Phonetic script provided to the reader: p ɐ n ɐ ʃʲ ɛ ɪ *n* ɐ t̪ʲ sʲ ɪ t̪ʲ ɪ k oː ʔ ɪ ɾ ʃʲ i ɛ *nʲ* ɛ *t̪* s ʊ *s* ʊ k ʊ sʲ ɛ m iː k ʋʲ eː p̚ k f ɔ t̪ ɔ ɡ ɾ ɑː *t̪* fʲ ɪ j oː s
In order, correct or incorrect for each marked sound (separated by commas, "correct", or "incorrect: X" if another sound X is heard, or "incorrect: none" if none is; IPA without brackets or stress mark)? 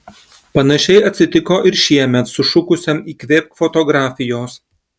incorrect: none, incorrect: mʲ, correct, incorrect: ʃ, incorrect: none